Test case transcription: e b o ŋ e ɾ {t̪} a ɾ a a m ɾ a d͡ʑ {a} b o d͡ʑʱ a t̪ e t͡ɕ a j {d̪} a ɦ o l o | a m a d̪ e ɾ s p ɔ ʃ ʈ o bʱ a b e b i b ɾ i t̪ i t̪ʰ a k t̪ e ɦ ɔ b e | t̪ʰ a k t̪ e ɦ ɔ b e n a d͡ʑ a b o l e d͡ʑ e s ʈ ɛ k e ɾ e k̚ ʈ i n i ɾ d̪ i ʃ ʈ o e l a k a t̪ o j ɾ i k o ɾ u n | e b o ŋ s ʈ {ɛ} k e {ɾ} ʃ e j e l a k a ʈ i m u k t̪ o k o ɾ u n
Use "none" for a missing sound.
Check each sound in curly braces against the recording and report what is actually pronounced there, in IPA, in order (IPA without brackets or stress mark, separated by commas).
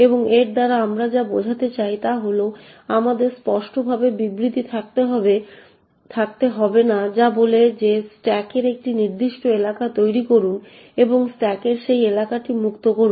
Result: d̪, a, t̪, ɛ, ɾ